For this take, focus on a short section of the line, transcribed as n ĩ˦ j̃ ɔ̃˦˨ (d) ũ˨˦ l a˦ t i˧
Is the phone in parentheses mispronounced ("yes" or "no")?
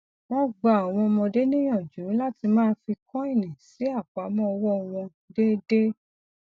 yes